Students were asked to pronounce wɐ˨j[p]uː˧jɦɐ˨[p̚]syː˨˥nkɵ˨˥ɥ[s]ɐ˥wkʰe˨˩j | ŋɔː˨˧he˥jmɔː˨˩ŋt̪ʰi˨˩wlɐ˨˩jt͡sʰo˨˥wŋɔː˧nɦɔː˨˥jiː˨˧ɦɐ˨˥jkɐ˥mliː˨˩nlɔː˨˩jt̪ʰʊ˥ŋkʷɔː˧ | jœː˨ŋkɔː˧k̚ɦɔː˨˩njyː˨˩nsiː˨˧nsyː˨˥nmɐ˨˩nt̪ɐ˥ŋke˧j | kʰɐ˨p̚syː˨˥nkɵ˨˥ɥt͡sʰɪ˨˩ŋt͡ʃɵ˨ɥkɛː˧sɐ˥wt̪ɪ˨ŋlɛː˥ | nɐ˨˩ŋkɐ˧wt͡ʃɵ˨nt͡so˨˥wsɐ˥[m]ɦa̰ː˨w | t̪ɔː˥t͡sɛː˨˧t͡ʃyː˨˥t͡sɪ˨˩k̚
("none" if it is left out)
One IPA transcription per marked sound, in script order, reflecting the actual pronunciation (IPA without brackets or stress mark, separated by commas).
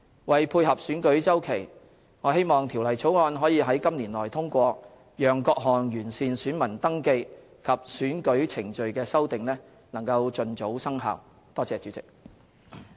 pʰ, p̚, t͡s, ŋ